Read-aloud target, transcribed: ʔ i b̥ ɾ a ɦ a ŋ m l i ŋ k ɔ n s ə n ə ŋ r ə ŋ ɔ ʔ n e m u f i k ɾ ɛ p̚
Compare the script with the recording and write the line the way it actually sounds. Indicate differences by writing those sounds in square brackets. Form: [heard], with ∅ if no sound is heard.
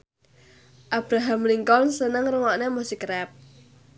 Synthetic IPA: ʔ [a] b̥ ɾ a ɦ a [∅] m l i ŋ k ɔ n s ə n ə ŋ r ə ŋ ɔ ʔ n e m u [s] i k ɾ ɛ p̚